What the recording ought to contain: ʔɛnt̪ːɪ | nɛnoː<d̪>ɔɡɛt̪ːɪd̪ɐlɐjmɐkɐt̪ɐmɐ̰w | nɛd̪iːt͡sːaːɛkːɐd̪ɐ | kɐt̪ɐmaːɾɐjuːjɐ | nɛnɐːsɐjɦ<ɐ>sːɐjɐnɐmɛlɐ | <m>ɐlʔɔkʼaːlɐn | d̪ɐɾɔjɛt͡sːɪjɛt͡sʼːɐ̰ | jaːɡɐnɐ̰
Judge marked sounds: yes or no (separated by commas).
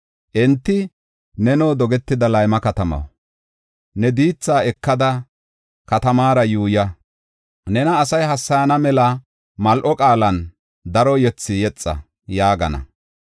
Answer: yes, yes, yes